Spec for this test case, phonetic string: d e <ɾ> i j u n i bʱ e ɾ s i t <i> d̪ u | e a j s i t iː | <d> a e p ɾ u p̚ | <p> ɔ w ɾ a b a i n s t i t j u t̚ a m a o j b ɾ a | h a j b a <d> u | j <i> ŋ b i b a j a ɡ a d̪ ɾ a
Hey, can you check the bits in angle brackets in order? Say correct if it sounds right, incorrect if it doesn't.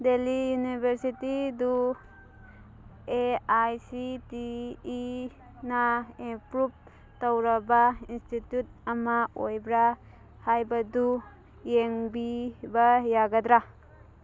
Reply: incorrect: l, correct, incorrect: n, incorrect: t, correct, incorrect: e

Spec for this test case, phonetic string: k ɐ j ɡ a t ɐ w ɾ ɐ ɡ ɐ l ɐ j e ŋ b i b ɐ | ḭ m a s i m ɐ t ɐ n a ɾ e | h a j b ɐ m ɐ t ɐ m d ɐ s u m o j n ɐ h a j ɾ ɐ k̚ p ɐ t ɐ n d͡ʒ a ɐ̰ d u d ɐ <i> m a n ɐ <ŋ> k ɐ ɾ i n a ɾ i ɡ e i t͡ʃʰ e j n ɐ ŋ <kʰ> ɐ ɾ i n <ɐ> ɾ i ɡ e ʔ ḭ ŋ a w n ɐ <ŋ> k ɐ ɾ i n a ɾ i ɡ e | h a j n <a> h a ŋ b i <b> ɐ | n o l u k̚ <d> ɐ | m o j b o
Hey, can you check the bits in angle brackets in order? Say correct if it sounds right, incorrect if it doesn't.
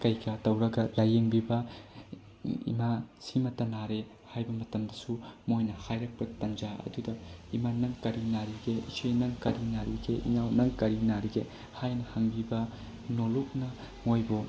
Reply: correct, correct, incorrect: k, incorrect: a, correct, incorrect: ɐ, correct, incorrect: n

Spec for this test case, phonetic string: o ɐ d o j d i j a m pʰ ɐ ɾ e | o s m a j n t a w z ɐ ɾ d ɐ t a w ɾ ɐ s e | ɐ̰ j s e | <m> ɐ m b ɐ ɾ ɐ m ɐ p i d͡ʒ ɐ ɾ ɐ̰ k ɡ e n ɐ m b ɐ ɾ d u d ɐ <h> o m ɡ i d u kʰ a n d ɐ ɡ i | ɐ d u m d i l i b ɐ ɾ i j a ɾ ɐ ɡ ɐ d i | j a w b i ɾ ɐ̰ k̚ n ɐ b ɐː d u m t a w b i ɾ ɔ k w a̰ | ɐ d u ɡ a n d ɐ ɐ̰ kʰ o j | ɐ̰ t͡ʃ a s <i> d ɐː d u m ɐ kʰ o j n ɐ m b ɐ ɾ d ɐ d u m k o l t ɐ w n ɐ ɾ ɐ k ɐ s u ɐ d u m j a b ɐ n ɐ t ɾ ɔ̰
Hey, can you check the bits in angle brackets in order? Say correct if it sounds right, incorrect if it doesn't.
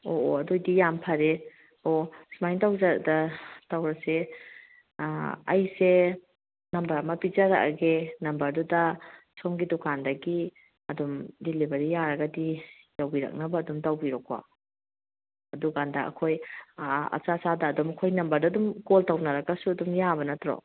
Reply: incorrect: n, incorrect: s, incorrect: a

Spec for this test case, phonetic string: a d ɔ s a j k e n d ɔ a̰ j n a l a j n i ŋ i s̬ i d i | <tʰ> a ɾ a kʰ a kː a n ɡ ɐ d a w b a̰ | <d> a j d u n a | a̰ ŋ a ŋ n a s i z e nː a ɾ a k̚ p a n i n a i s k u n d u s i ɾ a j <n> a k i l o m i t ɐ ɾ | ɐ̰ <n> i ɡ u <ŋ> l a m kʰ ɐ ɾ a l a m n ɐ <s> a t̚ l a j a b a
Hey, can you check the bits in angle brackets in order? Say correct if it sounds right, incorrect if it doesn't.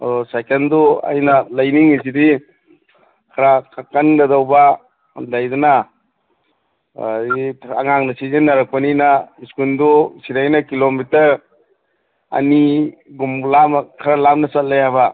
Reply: incorrect: kʰ, correct, correct, correct, incorrect: m, correct

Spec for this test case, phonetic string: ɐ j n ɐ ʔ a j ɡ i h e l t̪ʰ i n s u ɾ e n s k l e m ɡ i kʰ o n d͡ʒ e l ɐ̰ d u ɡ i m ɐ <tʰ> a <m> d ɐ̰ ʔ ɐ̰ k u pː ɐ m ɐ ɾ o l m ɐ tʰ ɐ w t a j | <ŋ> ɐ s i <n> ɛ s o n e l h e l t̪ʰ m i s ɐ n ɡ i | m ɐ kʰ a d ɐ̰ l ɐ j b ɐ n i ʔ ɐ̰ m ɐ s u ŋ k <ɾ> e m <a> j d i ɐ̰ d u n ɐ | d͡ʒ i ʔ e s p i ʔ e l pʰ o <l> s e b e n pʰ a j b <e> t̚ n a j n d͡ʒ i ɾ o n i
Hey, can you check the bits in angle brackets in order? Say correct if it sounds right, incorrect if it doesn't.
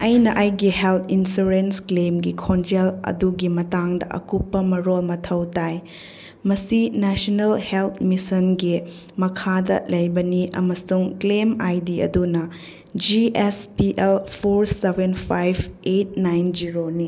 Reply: incorrect: t, incorrect: ŋ, incorrect: m, correct, incorrect: l, correct, incorrect: ɾ, correct

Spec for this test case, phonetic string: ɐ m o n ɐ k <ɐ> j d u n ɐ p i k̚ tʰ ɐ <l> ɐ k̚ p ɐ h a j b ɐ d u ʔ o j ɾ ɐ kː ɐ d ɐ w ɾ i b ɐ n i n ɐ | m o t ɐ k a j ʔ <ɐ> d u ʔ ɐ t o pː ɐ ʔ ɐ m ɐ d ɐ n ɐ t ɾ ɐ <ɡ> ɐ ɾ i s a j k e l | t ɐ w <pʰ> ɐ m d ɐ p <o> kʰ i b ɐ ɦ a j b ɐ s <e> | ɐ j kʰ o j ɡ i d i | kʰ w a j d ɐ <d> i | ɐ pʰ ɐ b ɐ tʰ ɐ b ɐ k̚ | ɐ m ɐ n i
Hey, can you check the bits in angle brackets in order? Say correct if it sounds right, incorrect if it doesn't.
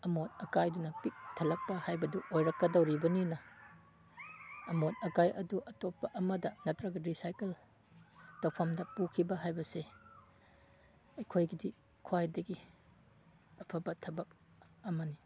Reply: incorrect: a, correct, correct, correct, correct, incorrect: u, correct, incorrect: ɡ

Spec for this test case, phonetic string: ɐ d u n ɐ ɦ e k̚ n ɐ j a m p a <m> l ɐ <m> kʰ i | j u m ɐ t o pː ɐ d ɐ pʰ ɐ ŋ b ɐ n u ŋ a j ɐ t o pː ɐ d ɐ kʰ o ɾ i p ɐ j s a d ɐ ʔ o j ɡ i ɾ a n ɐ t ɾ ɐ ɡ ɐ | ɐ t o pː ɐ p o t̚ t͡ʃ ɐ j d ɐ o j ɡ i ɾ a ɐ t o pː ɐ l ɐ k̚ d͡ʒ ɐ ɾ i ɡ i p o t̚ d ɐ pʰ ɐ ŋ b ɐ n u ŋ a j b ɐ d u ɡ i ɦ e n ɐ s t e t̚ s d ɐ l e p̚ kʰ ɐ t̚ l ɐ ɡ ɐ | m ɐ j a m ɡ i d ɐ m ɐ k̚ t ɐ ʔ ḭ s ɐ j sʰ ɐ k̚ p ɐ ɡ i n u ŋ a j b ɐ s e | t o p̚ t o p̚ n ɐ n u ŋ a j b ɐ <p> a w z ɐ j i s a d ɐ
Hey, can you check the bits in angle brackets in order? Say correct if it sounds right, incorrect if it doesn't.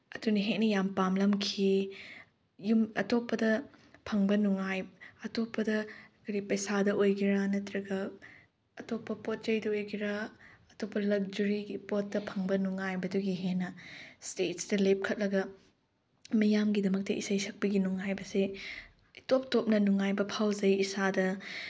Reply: correct, correct, incorrect: pʰ

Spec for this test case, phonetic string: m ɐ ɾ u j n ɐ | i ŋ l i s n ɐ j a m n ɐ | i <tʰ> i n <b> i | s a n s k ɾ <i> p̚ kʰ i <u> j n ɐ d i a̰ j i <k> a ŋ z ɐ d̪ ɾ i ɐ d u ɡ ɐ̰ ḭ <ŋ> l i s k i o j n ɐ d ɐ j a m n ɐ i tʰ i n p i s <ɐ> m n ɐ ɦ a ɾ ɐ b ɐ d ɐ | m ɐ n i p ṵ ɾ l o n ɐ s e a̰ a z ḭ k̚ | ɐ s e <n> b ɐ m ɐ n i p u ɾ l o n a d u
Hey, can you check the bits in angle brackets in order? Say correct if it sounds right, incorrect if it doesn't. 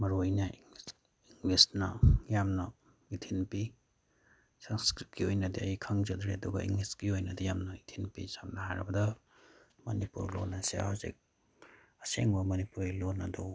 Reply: correct, incorrect: p, correct, incorrect: o, incorrect: kʰ, correct, incorrect: a, incorrect: ŋ

